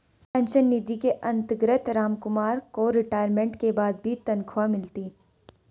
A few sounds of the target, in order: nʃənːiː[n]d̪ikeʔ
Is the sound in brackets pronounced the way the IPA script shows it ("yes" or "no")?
no